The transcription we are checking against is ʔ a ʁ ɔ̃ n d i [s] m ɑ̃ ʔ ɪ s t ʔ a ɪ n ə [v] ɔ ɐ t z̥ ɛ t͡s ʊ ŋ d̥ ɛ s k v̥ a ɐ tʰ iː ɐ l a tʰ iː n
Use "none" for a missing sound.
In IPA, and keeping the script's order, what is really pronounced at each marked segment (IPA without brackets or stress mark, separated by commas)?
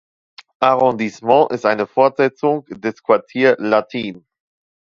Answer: s, f